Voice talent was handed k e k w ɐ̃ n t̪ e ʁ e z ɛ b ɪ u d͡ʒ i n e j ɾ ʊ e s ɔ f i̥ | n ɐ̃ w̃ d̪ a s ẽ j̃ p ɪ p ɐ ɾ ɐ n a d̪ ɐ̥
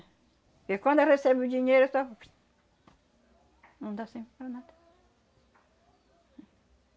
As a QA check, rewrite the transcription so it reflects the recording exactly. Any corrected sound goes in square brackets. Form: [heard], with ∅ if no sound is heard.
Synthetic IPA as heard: k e k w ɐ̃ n [d̪] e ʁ e [s] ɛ b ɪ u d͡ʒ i [ɲ] e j ɾ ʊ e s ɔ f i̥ | n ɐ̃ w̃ d̪ a s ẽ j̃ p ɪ p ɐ ɾ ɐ n a d̪ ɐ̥

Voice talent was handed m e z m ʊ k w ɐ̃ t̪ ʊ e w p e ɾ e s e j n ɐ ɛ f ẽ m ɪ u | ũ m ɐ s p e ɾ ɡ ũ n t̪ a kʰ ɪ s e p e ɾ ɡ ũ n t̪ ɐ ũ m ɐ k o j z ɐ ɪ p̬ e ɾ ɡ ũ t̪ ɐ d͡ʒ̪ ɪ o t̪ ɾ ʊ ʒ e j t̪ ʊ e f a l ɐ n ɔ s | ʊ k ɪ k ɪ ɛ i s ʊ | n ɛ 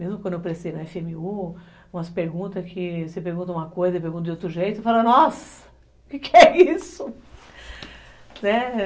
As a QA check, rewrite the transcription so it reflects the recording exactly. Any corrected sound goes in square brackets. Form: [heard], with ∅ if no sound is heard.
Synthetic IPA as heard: m e z m ʊ k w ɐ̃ [d̪] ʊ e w p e ɾ e s e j n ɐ ɛ f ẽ m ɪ u | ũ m ɐ s p e ɾ ɡ ũ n t̪ [ɐ] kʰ ɪ s e p e ɾ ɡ ũ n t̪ ɐ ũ m ɐ k o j z ɐ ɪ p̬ e ɾ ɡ ũ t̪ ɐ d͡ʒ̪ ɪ o t̪ ɾ ʊ ʒ e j t̪ ʊ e f a l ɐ n ɔ s | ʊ k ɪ k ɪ ɛ i s ʊ | n ɛ

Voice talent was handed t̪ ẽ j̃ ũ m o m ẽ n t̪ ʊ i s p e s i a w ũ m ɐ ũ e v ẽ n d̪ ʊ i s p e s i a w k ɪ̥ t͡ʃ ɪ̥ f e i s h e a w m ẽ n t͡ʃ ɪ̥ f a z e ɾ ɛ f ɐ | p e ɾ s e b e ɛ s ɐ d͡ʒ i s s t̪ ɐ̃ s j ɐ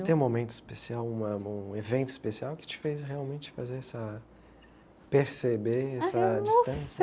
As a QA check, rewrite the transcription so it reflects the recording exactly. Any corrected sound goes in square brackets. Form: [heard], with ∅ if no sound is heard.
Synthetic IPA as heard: t̪ ẽ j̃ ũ m o m ẽ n t̪ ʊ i s p e s i a w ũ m ɐ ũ e v ẽ n [t̪] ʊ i s p e s i a w k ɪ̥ t͡ʃ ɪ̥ f e [j] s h e a w m ẽ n t͡ʃ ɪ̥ f a z e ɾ ɛ [s] ɐ | p e ɾ s e b e ɛ s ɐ d͡ʒ i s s t̪ ɐ̃ s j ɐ

